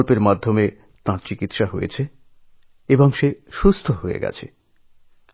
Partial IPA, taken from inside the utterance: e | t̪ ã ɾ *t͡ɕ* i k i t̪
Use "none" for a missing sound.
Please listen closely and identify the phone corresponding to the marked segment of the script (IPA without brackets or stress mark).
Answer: t͡ɕ